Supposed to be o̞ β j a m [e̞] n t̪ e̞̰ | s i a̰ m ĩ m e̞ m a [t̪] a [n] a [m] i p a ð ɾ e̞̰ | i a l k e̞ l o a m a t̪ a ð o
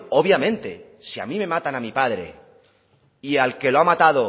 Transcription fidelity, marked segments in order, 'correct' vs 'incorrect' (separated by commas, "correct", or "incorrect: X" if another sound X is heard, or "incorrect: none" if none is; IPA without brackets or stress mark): incorrect: ẽ̞, correct, correct, correct